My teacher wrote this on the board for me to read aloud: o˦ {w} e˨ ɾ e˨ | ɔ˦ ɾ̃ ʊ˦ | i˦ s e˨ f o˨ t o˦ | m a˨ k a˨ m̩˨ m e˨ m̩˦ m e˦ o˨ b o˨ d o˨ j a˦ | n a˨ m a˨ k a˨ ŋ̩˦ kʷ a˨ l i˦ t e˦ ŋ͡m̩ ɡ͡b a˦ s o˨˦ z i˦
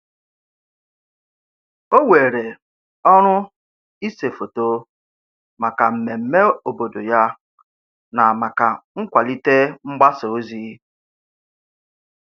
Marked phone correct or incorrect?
correct